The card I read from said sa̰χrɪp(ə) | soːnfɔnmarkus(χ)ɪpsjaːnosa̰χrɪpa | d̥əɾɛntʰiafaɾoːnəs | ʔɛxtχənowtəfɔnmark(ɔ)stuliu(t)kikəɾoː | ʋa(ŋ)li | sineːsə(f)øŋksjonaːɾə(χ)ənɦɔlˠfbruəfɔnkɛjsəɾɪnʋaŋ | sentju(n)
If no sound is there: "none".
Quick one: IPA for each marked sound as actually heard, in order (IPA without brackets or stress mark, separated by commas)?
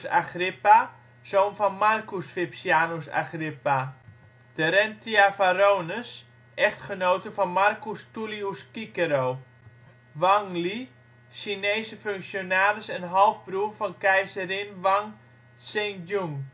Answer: a, f, u, s, ŋ, f, s, ŋ